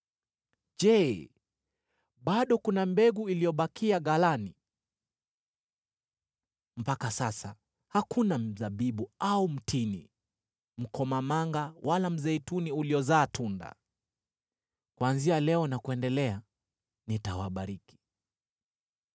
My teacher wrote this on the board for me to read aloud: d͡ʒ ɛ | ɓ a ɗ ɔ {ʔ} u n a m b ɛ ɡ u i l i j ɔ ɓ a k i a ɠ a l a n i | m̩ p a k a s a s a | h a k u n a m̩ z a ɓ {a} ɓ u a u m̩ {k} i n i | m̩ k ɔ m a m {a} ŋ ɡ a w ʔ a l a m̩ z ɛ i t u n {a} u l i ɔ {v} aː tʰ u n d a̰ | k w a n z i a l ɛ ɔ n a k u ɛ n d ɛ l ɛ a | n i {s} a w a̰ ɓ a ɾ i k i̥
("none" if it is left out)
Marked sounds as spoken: k, i, t, a, i, z, t

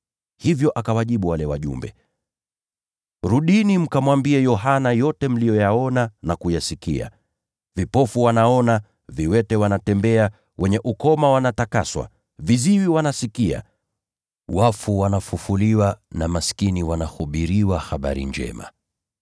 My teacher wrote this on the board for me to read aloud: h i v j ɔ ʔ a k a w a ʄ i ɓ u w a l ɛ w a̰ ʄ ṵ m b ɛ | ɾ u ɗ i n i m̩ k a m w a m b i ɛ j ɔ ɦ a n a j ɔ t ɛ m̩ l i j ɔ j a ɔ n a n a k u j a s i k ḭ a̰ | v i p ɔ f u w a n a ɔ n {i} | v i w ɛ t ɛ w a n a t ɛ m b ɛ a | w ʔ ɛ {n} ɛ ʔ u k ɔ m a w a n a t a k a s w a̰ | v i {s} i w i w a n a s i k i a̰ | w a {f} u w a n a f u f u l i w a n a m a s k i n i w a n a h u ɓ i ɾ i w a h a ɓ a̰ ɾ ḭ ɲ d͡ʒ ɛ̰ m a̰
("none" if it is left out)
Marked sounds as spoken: a, ɲ, z, f

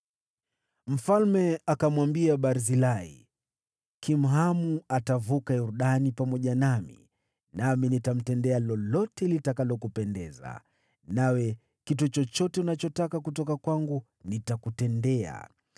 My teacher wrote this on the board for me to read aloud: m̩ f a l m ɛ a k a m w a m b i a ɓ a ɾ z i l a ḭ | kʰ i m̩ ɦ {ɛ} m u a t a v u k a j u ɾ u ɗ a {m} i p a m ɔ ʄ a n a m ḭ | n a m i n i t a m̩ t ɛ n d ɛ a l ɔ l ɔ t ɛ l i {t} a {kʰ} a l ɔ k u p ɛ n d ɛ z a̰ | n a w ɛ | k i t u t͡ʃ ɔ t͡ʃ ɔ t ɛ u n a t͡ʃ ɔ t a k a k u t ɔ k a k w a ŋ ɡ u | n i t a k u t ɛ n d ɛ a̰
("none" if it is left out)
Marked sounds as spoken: a, n, t, k

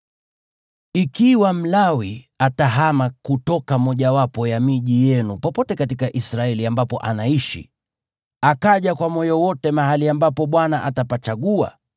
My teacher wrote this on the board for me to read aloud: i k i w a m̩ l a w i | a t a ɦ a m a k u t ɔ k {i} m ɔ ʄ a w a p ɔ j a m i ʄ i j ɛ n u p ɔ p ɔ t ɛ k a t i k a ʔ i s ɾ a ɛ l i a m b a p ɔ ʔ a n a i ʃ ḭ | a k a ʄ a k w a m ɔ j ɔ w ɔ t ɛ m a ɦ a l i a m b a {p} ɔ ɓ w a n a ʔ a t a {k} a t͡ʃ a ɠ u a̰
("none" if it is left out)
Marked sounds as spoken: a, p, p

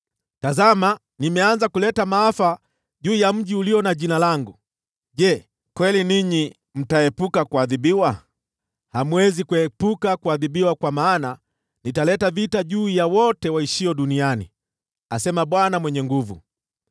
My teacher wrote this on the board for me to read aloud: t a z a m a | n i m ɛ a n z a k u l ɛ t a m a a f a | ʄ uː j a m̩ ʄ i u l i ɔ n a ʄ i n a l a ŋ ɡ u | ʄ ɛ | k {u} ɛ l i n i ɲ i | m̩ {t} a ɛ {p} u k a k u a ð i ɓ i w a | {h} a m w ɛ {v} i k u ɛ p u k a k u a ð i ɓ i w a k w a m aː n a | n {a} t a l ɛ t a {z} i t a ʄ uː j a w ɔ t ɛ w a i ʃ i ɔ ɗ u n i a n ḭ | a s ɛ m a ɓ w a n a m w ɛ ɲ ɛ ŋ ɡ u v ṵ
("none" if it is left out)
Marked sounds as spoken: w, t, p, h, z, i, v

